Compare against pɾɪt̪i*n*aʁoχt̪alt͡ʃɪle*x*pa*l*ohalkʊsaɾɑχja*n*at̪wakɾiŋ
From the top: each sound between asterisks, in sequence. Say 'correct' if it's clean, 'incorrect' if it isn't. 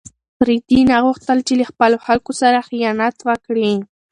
correct, incorrect, correct, correct

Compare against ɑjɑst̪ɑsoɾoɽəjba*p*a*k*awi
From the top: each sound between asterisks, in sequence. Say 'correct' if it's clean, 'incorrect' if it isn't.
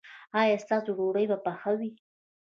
correct, incorrect

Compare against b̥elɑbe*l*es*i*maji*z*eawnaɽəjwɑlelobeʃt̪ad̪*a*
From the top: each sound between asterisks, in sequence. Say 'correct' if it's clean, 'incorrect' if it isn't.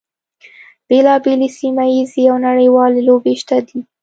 correct, correct, correct, incorrect

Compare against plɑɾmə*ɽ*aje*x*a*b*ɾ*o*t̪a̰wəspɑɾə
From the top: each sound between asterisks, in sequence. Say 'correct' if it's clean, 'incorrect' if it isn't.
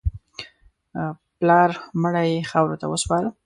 correct, correct, incorrect, correct

